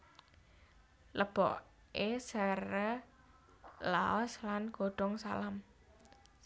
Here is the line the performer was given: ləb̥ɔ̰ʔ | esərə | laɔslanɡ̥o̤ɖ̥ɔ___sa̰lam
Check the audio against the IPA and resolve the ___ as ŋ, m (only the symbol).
ŋ